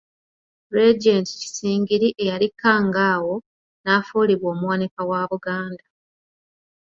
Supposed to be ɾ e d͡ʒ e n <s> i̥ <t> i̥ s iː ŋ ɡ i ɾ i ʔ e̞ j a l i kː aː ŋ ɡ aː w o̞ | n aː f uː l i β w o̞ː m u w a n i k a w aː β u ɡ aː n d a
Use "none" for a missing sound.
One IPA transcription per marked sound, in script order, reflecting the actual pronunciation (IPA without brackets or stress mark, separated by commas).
t, c